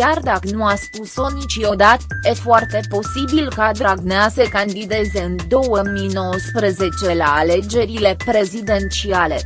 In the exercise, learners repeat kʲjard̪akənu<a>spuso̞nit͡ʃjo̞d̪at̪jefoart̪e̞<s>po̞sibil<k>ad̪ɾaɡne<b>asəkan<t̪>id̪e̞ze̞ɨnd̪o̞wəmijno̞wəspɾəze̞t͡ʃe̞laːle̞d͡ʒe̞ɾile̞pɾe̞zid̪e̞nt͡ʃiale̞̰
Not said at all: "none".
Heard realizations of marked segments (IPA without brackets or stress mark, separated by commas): a, none, k, none, d̪